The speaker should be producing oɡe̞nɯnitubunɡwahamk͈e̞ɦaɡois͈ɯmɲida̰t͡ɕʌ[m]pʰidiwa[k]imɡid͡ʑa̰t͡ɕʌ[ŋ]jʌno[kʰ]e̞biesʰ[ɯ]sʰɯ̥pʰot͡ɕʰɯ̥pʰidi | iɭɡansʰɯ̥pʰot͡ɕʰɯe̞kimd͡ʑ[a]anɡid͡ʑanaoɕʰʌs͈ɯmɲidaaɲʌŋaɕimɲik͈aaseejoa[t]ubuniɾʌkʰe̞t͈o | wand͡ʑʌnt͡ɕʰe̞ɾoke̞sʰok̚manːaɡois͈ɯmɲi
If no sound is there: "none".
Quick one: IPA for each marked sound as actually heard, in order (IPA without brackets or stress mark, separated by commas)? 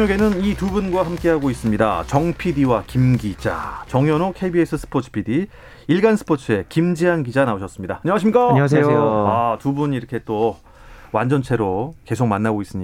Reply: ŋ, k, ŋ, kʰ, ɯ, i, t